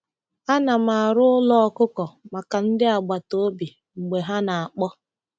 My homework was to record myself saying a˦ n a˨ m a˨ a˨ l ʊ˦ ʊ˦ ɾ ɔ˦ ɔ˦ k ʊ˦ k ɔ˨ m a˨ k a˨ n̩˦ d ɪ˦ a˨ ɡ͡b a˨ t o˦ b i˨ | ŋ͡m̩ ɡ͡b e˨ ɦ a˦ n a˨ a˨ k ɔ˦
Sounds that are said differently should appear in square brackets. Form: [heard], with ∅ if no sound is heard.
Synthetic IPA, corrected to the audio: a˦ n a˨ m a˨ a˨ [ɾ] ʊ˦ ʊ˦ [l] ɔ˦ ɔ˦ k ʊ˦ k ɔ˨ m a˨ k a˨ n̩˦ d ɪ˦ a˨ ɡ͡b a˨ t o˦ b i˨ | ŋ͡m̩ ɡ͡b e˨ ɦ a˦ n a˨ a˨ [k͡p] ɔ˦